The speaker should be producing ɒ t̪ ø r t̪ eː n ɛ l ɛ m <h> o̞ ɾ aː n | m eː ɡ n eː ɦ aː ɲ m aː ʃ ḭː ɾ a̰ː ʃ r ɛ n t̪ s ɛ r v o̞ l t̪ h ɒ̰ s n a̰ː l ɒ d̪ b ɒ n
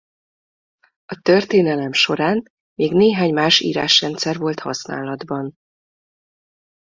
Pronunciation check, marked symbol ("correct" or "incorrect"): incorrect